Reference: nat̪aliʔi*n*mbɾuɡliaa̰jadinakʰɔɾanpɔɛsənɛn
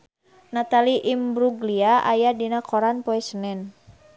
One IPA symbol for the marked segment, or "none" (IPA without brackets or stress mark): none